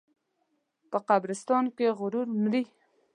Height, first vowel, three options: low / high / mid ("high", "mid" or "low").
mid